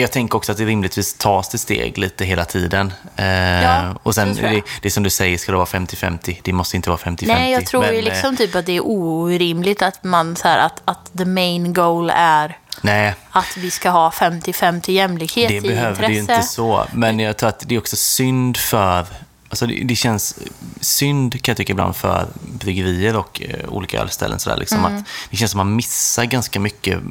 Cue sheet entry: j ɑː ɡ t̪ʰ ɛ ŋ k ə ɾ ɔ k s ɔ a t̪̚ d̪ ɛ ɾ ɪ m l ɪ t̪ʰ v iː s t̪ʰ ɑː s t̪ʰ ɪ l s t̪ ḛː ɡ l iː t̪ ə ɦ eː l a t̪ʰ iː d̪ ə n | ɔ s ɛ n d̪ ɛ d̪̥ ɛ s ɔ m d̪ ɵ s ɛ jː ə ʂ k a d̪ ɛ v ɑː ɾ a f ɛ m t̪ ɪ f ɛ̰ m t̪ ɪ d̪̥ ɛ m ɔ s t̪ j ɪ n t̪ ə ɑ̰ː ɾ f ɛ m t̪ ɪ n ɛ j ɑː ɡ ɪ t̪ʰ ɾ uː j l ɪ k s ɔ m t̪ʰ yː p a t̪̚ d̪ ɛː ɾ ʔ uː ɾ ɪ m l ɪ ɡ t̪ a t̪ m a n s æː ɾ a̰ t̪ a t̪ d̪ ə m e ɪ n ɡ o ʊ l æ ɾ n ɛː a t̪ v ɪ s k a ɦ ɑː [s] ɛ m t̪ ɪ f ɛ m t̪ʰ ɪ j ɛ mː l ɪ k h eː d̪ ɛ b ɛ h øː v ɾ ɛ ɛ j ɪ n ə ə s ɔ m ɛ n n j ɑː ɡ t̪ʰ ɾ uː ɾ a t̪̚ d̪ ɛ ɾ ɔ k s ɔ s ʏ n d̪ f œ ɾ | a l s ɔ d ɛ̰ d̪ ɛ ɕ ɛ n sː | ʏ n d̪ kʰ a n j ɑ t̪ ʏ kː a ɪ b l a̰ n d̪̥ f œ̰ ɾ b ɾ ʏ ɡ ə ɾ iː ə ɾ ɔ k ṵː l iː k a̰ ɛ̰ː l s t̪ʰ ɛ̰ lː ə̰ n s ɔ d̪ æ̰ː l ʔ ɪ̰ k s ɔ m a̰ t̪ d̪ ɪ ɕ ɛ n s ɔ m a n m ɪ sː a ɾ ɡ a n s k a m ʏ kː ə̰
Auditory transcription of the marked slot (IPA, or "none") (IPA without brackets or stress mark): f